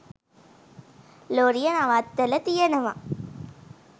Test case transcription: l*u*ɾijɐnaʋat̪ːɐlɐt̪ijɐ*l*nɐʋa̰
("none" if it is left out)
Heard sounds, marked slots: o, none

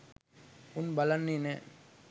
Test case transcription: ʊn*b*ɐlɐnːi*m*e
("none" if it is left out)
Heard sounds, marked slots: b, n

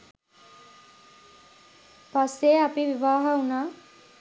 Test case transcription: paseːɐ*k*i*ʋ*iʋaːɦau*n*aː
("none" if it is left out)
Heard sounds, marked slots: p, ʋ, n

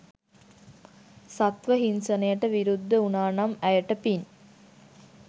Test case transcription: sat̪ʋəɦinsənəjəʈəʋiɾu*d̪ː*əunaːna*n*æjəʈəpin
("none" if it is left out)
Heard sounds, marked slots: d̪ː, m

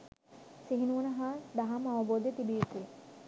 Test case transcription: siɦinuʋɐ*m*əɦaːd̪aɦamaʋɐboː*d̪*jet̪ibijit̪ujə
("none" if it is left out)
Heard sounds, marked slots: n, d̪

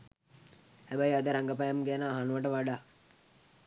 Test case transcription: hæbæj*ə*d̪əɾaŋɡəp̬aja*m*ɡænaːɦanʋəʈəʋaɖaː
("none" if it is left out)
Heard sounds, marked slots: a, m

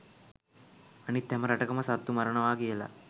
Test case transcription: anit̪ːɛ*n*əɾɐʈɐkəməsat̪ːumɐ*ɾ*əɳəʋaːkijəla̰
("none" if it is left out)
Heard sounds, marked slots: m, ɾ

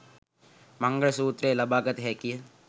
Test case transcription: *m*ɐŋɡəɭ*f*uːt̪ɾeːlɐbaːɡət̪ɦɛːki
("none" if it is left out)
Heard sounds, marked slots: m, s

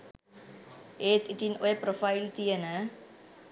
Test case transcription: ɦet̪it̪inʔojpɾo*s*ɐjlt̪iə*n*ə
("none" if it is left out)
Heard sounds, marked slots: f, n

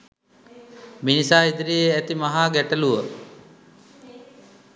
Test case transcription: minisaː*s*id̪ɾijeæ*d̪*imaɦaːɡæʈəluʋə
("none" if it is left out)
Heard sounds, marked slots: none, t̪

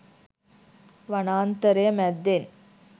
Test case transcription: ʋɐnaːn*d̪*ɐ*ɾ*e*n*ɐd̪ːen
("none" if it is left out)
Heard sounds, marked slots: t̪, ɾ, m

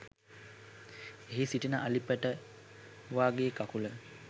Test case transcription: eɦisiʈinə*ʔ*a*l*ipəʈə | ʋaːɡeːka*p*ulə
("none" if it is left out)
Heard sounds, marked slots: ʔ, l, k

